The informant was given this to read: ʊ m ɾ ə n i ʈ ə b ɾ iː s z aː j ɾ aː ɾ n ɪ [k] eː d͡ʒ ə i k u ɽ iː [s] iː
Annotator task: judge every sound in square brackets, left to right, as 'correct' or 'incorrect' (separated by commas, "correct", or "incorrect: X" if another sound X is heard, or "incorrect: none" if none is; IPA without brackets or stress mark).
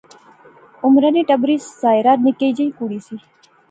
correct, correct